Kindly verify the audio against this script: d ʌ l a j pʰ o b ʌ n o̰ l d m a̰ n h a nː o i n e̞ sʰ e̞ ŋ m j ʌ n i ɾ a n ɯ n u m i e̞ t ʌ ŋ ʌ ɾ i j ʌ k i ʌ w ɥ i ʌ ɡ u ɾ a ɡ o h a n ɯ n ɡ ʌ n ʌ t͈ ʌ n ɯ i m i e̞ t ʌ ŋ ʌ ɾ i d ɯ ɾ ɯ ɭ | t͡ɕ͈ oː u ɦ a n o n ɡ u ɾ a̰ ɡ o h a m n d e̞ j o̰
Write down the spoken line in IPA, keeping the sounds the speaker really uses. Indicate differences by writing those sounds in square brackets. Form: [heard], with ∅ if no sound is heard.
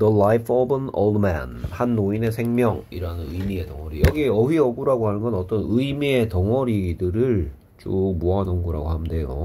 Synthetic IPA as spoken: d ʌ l a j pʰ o b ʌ n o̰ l d m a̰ n h a nː o i n e̞ sʰ e̞ ŋ m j ʌ [ŋ] i ɾ a n ɯ n [ɯ] m i e̞ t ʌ ŋ ʌ ɾ i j ʌ [ɡ] i ʌ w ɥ i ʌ ɡ u ɾ a ɡ o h a n ɯ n ɡ ʌ n ʌ t͈ ʌ n ɯ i m i e̞ t ʌ ŋ ʌ ɾ i d ɯ ɾ ɯ ɭ | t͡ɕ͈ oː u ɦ a n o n ɡ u ɾ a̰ ɡ o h a m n d e̞ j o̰